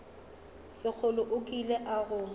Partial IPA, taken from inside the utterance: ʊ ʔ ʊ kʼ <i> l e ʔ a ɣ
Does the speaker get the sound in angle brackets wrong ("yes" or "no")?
no